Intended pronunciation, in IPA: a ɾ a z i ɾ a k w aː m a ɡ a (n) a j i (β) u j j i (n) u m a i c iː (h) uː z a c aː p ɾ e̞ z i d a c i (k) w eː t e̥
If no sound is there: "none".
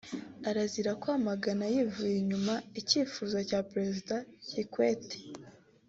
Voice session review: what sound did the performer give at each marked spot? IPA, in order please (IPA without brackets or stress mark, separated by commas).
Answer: n, v, ɲ, f, k